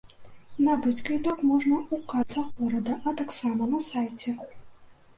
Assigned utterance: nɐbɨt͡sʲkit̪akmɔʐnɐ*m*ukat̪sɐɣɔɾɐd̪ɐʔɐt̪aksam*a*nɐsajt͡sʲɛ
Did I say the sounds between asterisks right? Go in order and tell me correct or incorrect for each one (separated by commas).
incorrect, incorrect